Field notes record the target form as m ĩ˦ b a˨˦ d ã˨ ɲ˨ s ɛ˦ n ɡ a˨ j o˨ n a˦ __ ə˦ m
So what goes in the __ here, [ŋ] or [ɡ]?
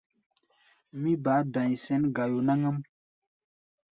ŋ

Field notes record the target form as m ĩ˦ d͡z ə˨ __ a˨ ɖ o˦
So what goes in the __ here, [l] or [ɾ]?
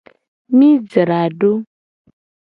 ɾ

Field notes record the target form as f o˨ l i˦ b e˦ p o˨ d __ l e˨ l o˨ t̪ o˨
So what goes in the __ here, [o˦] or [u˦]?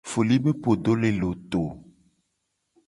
o˦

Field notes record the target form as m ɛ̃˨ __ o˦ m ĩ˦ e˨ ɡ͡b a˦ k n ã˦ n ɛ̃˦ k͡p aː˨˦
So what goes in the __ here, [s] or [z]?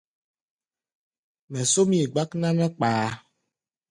s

